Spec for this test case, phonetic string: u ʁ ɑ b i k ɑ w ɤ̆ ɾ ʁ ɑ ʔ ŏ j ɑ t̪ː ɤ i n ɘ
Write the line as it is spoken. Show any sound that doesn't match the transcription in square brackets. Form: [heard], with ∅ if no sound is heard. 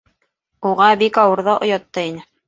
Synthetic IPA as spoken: u ʁ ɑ b i k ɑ w ɤ̆ ɾ [ð] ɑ ʔ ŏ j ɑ t̪ː ɤ i n ɘ